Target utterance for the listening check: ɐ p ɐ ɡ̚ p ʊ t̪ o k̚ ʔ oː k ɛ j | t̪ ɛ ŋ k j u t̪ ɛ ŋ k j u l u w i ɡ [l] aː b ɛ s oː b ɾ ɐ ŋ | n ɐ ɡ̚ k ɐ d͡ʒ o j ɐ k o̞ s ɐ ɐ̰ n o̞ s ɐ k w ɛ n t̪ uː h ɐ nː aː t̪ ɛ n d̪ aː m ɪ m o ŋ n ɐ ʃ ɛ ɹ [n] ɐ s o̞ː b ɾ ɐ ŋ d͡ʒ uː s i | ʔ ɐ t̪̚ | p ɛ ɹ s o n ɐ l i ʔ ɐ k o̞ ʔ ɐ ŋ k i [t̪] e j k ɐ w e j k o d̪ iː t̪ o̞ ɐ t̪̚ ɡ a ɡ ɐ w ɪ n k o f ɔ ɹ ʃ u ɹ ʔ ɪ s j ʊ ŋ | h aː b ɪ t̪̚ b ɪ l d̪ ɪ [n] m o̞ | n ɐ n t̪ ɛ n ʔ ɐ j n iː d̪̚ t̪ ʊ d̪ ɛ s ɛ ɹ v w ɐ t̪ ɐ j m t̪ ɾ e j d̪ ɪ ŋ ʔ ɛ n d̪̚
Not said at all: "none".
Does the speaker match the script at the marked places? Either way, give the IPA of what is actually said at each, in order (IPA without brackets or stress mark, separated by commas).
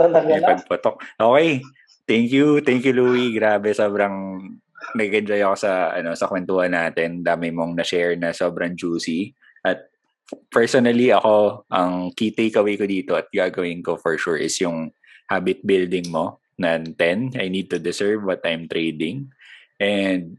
ɾ, n, t̪, ŋ